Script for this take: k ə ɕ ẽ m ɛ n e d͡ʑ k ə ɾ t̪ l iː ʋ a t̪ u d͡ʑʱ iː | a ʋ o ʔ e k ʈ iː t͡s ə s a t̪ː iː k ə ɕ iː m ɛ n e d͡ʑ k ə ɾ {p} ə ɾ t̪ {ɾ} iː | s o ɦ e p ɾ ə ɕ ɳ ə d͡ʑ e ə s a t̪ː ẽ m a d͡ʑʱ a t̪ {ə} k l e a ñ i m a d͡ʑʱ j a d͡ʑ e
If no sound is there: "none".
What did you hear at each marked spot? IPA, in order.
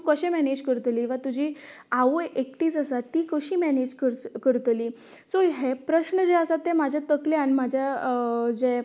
k, l, ə

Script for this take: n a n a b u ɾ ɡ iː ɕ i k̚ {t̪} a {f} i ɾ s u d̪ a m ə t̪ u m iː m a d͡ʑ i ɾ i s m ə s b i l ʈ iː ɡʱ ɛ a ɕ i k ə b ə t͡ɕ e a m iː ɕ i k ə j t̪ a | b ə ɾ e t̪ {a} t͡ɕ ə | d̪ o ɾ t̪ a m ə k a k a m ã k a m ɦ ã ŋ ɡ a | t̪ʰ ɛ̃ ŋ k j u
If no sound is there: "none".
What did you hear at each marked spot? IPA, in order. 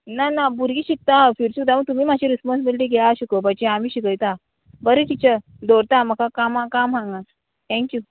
t̪, f, i

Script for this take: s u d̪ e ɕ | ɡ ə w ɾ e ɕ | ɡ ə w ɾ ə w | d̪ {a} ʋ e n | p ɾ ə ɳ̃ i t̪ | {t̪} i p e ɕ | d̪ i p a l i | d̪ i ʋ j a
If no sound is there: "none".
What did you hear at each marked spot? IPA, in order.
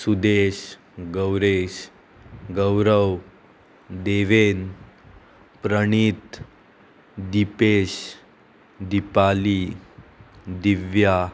e, d̪

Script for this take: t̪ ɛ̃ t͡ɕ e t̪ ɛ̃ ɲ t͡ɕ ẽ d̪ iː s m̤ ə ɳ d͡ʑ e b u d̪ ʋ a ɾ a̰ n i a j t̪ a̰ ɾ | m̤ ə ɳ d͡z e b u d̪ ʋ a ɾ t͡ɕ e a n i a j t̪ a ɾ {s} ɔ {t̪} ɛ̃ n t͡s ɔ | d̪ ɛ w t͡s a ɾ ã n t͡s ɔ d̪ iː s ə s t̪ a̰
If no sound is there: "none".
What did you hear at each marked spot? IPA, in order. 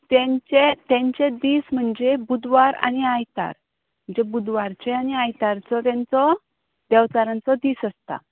t͡s, t̪

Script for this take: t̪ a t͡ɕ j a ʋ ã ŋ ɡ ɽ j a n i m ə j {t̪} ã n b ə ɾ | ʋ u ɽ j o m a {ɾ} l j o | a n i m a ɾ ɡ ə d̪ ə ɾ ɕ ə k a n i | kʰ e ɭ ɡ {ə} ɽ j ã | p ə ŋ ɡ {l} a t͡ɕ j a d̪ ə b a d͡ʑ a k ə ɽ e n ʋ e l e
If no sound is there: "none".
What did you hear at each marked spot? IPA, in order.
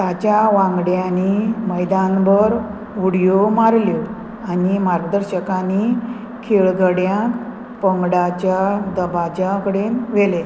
d̪, ɾ, ə, ɽ

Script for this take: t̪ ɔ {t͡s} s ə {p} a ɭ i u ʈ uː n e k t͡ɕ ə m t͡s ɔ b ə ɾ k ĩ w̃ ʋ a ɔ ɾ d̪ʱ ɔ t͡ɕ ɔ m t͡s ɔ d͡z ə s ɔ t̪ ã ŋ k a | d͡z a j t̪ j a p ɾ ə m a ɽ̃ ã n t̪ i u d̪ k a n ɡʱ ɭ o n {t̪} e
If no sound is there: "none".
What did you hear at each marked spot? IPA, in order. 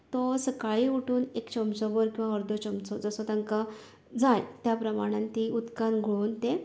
none, k, t̪

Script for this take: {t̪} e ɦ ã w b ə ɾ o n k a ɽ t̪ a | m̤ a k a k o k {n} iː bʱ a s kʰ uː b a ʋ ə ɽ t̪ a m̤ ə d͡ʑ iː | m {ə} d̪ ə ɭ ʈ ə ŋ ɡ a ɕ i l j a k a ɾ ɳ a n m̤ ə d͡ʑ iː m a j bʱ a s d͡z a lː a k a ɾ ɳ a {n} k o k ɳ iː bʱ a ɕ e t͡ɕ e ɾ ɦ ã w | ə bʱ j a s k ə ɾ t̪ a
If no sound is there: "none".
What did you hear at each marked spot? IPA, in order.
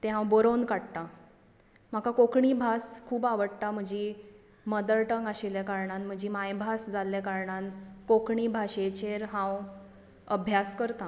t̪, ɳ, ə, n

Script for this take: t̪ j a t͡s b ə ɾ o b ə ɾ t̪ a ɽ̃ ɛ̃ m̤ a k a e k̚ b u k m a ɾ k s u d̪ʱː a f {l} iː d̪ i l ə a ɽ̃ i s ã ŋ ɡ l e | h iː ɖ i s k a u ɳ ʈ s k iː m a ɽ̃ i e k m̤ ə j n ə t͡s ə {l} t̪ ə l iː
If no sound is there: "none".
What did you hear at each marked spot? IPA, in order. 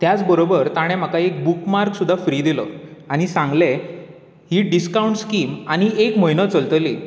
ɾ, l

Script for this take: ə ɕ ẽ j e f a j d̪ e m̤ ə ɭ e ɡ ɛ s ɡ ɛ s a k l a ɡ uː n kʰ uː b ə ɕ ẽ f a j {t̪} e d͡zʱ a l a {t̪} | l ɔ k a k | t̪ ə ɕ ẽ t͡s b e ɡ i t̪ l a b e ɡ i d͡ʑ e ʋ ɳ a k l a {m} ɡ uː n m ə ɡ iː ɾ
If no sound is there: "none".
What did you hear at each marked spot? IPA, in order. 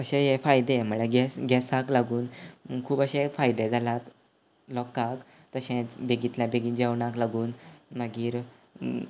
d̪, t̪, none

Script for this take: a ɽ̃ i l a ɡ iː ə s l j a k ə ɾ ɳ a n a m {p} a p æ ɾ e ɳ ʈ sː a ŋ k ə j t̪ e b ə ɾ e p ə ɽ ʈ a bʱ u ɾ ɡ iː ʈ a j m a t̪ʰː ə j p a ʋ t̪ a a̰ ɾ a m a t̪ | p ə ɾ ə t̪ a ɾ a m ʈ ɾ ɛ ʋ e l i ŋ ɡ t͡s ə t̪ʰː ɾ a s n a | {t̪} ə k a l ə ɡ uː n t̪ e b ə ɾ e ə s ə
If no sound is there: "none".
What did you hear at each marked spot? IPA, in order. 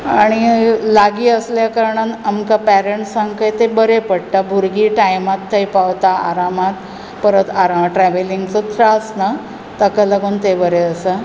k, t̪

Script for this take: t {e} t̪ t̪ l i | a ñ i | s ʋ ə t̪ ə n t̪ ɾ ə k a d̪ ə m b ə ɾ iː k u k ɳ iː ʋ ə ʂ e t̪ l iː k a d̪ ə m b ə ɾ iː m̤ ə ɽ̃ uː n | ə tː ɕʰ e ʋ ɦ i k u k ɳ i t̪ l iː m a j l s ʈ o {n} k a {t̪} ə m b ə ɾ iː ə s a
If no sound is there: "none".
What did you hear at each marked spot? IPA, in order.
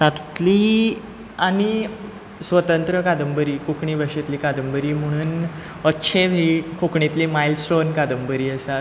a, n, d̪

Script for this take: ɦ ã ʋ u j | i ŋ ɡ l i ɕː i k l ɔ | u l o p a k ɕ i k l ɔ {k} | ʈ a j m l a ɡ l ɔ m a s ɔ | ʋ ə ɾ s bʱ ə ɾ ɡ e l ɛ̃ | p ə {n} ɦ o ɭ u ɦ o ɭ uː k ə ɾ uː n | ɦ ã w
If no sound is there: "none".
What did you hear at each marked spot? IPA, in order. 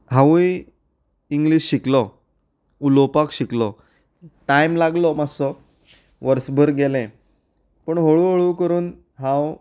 none, ɳ

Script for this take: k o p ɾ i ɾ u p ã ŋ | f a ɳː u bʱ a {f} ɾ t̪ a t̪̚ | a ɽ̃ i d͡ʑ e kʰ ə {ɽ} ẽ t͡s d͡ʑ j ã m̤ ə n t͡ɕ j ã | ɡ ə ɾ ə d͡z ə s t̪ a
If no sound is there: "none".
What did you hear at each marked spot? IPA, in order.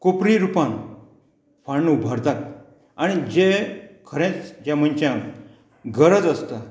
none, ɾ

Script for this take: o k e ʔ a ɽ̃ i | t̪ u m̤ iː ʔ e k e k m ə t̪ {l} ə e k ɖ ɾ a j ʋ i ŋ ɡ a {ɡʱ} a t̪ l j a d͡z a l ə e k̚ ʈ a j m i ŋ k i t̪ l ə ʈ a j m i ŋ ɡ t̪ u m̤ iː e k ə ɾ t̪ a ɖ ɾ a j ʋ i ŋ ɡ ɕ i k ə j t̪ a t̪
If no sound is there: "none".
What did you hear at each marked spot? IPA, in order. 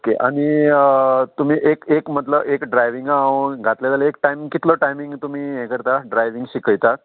l, ɡʱ

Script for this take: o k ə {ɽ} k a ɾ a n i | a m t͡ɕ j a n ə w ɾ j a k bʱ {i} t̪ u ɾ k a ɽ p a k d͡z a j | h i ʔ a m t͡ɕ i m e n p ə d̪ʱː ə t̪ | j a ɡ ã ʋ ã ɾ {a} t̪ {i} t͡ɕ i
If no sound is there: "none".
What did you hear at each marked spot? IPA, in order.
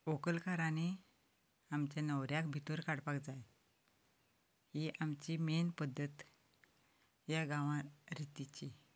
l, i, i, i

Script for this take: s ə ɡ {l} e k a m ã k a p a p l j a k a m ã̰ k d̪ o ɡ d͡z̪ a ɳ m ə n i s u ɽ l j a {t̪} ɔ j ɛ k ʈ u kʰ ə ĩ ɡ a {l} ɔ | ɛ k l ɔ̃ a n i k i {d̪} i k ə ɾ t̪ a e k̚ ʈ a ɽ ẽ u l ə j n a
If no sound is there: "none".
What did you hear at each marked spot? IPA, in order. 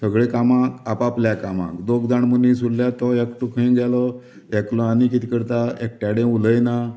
ɭ, t̪, l, t̪

